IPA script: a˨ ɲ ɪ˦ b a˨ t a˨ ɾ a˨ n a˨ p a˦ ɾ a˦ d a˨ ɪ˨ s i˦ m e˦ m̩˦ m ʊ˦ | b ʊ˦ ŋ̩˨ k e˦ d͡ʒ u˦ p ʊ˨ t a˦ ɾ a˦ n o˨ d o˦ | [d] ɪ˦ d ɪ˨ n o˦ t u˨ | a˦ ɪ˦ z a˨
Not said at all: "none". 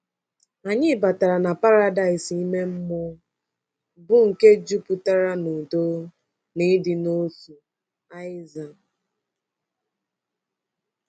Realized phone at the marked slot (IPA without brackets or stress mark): n